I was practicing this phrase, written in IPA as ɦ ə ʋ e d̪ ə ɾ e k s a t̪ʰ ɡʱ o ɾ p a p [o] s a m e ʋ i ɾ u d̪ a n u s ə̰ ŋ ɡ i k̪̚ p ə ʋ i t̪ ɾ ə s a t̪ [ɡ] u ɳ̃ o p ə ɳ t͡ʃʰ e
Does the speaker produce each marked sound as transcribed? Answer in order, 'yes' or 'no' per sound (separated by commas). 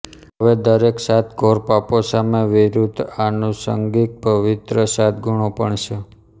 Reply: yes, yes